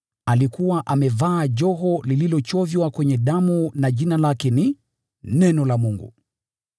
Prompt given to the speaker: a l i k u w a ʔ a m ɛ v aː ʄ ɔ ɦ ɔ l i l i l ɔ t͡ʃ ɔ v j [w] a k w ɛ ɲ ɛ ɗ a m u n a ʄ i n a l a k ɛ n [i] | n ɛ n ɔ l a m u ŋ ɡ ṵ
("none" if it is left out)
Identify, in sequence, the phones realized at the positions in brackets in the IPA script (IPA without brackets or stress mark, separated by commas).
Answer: w, i